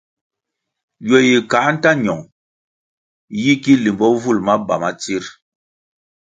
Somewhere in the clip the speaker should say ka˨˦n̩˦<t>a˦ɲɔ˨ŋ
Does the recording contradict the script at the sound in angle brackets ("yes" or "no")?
no